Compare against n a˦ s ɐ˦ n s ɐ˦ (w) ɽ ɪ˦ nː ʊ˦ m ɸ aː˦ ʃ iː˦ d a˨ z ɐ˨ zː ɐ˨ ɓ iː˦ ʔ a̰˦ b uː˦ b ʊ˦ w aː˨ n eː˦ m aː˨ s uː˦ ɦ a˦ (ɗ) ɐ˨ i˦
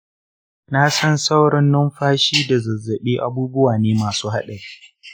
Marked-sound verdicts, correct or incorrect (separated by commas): correct, correct